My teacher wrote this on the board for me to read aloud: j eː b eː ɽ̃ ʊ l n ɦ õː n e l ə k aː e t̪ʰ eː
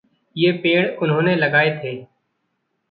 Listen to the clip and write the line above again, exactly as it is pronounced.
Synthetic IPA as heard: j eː p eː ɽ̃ ʊ n ɦ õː n e l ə ɡ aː e t̪ʰ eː